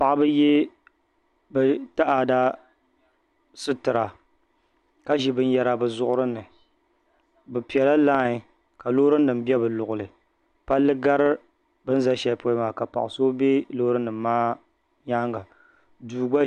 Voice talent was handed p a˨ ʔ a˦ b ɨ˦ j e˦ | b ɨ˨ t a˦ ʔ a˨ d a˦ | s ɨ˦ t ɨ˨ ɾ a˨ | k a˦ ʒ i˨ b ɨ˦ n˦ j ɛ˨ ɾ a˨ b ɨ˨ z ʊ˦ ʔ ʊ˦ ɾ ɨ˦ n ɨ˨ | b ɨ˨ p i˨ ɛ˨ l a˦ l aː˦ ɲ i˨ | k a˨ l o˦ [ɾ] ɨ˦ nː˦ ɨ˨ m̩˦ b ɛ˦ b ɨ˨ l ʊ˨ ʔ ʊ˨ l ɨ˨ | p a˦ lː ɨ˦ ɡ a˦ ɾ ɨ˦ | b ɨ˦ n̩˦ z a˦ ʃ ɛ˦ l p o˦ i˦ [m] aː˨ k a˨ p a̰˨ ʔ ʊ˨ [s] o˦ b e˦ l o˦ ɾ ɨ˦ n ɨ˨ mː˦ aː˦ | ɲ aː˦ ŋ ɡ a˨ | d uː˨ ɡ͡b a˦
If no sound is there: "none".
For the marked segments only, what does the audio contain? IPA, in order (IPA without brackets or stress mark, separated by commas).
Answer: ɾ, m, s